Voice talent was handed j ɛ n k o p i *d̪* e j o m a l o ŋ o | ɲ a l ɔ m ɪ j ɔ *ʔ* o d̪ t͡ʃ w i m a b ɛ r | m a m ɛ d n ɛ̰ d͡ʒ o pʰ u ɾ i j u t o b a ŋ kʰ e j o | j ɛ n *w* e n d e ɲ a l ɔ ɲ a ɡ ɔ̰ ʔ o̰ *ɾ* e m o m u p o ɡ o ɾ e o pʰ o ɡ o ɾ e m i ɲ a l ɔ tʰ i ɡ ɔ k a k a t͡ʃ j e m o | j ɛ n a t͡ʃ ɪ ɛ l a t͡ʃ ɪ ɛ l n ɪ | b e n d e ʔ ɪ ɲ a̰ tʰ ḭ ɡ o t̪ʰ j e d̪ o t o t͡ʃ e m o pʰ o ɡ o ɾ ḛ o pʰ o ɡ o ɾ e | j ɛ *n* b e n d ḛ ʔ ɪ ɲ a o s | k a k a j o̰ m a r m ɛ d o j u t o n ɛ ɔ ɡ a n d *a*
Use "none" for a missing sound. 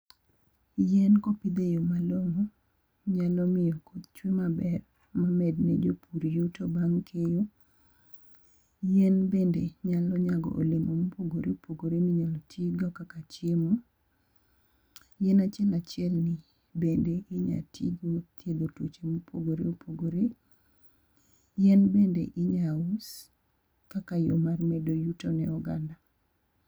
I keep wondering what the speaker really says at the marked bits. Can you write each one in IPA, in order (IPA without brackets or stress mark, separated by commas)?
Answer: d̪, k, b, l, n, a